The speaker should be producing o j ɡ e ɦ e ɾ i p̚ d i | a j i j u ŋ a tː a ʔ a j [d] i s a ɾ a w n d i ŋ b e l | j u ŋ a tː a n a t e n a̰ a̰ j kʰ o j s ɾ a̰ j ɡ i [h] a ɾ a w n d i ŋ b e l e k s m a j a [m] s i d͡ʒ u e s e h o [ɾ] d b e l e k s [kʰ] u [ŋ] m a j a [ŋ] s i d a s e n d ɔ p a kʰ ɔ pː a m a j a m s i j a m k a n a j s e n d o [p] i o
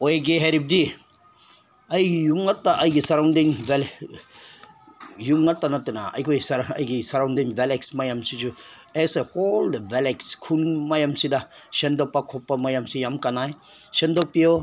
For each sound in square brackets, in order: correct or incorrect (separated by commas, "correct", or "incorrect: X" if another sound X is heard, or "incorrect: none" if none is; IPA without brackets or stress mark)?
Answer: incorrect: ɡ, incorrect: s, correct, incorrect: l, correct, incorrect: n, incorrect: m, correct